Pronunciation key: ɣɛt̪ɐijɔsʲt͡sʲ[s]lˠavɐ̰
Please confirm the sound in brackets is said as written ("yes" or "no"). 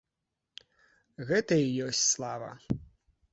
yes